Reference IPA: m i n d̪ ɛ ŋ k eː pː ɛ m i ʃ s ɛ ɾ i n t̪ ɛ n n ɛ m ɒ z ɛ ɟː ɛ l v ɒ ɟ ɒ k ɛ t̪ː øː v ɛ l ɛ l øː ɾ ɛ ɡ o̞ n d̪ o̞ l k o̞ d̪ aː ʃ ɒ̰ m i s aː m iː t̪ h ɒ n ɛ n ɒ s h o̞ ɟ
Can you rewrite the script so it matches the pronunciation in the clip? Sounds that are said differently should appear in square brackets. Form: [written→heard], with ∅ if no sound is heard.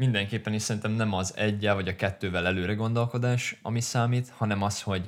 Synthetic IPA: m i n d̪ ɛ ŋ k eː pː ɛ [m→n] i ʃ s ɛ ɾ i n t̪ ɛ [n→m] n ɛ m ɒ z ɛ ɟː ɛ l v ɒ ɟ ɒ k ɛ t̪ː øː v ɛ l ɛ l øː ɾ ɛ ɡ o̞ n d̪ o̞ l k o̞ d̪ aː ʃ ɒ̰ m i s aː m iː t̪ h ɒ n ɛ [n→m] ɒ s h o̞ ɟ